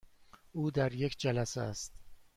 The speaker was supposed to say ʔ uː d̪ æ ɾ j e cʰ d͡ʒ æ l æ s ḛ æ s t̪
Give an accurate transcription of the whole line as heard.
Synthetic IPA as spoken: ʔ uː d̪ æ ɾ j e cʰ d͡ʒ æ l æ s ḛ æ s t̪

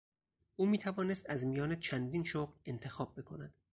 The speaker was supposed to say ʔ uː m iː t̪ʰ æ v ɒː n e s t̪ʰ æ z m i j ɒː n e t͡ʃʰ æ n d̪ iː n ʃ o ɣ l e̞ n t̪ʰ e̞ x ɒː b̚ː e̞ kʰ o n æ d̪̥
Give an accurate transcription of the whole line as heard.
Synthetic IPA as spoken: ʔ uː m iː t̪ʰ æ v ɒː n e s t̪ æ z m i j ɒː n e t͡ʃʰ æ n d̪ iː n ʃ o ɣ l e̞ n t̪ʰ e̞ x ɒː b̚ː e̞ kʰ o n æ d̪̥

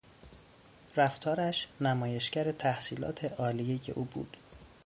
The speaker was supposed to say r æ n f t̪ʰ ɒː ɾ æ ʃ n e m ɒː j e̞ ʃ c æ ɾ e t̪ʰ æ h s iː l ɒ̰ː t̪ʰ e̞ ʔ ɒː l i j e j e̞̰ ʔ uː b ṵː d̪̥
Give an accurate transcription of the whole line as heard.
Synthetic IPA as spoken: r æ f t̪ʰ ɒː ɾ æ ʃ n æ m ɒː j e̞ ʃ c æ ɾ e t̪ʰ æ h s iː l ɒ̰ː t̪ʰ e̞ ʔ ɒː l i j e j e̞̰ ʔ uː b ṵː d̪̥

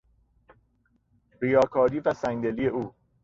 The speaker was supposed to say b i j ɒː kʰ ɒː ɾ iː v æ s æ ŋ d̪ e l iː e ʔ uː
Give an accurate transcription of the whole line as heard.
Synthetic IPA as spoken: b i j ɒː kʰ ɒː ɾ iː v æ s æ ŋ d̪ e l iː e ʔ uː

